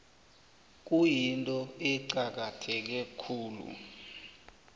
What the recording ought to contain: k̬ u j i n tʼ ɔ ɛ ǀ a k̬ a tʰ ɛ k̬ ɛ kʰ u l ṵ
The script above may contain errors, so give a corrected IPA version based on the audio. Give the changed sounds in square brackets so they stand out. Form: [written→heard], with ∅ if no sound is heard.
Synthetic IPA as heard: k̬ u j i n tʼ ɔ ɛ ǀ a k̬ a tʰ ɛ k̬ ɛ kʰ [u→uː] l ṵ